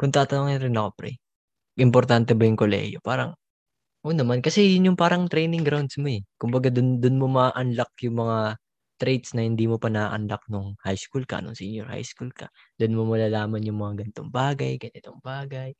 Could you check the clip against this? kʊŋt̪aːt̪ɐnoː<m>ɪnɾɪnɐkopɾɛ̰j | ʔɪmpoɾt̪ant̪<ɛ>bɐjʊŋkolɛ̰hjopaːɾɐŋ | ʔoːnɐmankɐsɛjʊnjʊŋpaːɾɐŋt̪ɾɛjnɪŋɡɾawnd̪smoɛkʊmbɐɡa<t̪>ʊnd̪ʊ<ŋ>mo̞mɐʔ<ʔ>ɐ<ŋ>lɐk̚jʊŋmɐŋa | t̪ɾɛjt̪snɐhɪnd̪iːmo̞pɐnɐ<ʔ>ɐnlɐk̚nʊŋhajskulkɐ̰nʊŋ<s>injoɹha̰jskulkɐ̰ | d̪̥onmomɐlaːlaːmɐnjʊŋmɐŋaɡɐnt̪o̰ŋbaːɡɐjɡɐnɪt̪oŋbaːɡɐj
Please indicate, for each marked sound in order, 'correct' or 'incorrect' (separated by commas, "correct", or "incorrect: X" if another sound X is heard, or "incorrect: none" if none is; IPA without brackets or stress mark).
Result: incorrect: ŋ, correct, incorrect: d̪, incorrect: n, correct, incorrect: n, correct, correct